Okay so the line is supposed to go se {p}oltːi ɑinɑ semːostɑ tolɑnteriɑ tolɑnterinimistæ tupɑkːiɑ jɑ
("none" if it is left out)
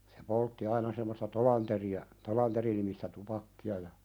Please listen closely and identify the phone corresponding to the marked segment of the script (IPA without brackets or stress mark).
p